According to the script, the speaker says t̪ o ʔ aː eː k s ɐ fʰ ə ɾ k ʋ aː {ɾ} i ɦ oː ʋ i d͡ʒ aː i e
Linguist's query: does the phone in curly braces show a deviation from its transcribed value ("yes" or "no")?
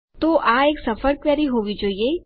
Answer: no